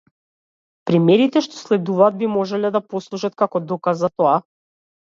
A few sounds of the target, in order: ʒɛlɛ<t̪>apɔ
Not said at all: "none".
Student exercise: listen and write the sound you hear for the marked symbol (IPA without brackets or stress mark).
d̪